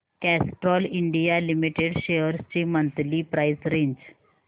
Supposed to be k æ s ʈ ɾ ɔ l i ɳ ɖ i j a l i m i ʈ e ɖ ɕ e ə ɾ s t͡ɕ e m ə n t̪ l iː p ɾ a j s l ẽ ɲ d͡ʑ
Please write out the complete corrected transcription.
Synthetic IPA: k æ s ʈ ɾ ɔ l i ɳ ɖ i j a l i m i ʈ e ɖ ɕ e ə ɾ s t͡ɕ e m ə n t̪ l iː p ɾ a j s ɾ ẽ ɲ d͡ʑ

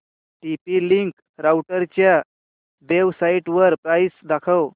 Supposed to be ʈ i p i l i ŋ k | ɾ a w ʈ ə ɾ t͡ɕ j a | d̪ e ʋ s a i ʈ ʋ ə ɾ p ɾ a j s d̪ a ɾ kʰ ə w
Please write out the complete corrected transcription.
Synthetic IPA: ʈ i p i l i ŋ k | ɾ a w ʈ ə ɾ t͡ɕ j a | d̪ e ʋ s a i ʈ ʋ ə ɾ p ɾ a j s d̪ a kʰ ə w

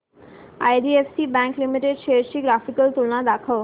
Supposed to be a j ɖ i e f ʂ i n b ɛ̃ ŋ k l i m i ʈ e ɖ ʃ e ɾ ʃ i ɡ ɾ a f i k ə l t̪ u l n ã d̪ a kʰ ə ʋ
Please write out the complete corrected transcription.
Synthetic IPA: a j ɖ i e f s i b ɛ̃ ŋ k l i m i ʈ e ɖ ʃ e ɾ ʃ i ɡ ɾ a f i k ə l t̪ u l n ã d̪ a kʰ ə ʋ

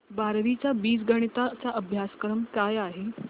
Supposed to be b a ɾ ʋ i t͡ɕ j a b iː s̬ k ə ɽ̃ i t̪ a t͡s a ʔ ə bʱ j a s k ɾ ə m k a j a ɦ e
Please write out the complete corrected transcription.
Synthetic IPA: b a ɾ ʋ i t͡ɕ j a b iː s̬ ɡ ə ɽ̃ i t̪ a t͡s a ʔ ə bʱ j a s k ɾ ə m k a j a ɦ e

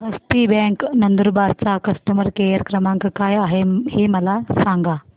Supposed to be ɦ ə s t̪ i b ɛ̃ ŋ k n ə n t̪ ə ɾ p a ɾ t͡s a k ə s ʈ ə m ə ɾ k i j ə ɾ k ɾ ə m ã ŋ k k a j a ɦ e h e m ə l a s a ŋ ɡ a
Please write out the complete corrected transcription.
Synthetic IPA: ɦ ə s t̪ i b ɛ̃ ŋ k n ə n d̪ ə ɾ b a ɾ t͡s a k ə s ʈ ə m ə ɾ k e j ə ɾ k ɾ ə m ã ŋ k k a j a ɦ e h e m ə l a s a ŋ ɡ a

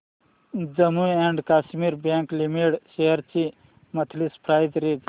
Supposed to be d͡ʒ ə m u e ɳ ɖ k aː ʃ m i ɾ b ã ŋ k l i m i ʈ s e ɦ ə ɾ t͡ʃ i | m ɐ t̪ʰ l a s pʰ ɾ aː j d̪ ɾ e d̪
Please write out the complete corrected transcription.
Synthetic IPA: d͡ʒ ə m u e ɳ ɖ k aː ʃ m i ɾ b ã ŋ k l i m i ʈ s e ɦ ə ɾ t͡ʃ i | m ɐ t̪ʰ l i s pʰ ɾ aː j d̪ ɾ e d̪

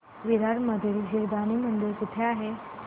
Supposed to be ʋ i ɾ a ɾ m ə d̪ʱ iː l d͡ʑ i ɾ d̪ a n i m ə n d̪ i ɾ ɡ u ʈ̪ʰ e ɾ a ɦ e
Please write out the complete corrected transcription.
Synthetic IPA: ʋ i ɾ a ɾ m ə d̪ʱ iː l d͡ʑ i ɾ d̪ a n i m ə n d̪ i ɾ k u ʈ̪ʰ e a ɦ e

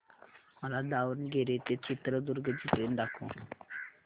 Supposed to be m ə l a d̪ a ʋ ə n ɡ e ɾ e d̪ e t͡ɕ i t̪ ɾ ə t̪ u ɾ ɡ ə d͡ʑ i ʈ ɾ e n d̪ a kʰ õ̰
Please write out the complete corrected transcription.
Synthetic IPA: m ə l a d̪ a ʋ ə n ɡ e ɾ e t̪ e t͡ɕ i t̪ ɾ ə d̪ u ɾ ɡ ə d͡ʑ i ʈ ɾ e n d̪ a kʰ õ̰

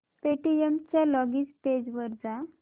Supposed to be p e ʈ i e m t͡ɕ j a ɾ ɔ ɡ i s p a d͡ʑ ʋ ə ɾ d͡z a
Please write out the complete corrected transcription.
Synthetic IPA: p e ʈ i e m t͡ɕ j a l ɔ ɡ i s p e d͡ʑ ʋ ə ɾ d͡z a

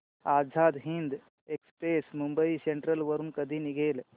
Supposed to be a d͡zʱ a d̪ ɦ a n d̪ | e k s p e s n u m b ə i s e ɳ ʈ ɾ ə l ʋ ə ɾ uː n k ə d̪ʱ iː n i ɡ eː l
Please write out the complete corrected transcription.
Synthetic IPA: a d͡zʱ a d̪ ɦ i n d̪ | e k s p e s m u m b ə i s e ɳ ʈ ɾ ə l ʋ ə ɾ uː n k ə d̪ʱ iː n i ɡ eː l

